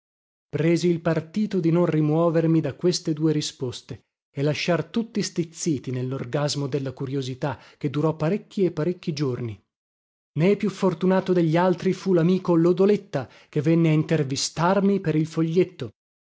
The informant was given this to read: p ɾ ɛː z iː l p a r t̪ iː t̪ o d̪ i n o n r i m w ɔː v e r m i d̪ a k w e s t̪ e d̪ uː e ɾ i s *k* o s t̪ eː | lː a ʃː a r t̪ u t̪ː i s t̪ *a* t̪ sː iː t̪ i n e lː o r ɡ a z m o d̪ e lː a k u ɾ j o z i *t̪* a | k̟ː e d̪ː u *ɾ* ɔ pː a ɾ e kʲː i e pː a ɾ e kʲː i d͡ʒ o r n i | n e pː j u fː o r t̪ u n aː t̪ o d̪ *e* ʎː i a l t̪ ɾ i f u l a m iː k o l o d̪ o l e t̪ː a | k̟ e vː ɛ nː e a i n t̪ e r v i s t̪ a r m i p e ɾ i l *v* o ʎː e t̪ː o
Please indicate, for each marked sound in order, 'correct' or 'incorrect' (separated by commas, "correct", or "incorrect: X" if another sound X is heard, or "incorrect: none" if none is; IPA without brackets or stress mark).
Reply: incorrect: p, incorrect: i, correct, correct, correct, incorrect: f